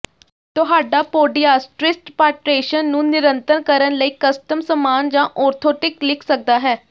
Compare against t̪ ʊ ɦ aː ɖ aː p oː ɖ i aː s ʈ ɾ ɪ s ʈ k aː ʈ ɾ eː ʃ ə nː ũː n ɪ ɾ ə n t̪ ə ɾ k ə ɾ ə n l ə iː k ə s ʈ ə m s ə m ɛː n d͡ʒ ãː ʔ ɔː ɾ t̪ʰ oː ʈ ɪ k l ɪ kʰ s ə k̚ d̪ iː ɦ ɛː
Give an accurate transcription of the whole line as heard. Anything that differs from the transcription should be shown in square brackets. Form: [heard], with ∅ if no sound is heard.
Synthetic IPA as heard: t̪ ʊ ɦ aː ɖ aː p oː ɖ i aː s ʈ ɾ ɪ s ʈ [p] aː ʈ ɾ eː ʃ ə nː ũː n ɪ ɾ ə n t̪ ə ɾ k ə ɾ ə n l ə iː k ə s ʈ ə m s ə m [aː] n d͡ʒ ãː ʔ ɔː ɾ t̪ʰ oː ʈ ɪ k l ɪ kʰ s ə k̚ d̪ [aː] ɦ ɛː

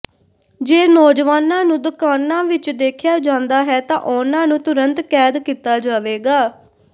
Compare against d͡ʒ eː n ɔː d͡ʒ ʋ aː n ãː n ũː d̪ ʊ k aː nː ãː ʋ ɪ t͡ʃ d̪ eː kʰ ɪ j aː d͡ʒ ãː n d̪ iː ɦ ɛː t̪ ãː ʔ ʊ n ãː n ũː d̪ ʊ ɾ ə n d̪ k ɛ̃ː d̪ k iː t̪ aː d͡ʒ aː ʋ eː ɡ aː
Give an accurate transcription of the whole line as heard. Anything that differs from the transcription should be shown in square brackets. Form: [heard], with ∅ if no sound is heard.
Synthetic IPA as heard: d͡ʒ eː n ɔː d͡ʒ ʋ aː n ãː n ũː d̪ ʊ k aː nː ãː ʋ ɪ t͡ʃ d̪ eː kʰ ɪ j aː d͡ʒ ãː n d̪ [aː] ɦ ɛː t̪ ãː ʔ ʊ n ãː n ũː [t̪] ʊ ɾ ə n [t̪] k [ɛː] d̪ k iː t̪ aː d͡ʒ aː ʋ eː ɡ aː

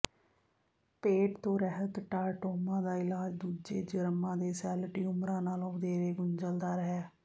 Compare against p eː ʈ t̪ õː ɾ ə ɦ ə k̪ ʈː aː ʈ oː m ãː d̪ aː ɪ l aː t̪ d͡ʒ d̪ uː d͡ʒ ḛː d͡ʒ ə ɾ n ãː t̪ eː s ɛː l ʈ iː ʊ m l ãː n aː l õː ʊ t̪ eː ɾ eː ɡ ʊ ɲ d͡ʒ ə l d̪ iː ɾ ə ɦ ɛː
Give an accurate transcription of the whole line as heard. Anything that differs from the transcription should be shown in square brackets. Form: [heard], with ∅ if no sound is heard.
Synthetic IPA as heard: p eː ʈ t̪ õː ɾ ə ɦ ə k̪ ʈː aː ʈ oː m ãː d̪ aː ɪ l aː [∅] d͡ʒ d̪ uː d͡ʒ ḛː d͡ʒ ə ɾ [m] ãː [d̪] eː s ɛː l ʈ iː ʊ m [ɾ] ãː n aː l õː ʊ [d̪] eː ɾ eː ɡ ʊ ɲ d͡ʒ ə l d̪ [aː] ɾ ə ɦ ɛː

